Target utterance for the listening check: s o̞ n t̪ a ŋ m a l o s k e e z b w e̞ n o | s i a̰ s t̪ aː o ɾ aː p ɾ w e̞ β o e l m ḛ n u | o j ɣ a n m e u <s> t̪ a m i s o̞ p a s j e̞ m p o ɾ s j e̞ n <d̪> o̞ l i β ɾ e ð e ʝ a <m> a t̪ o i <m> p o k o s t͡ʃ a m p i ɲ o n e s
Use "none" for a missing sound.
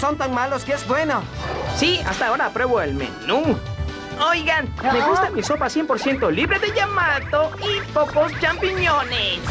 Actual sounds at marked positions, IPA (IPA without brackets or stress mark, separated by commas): s, t̪, m, none